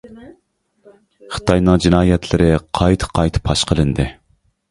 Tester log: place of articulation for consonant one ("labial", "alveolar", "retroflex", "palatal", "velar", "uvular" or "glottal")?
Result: uvular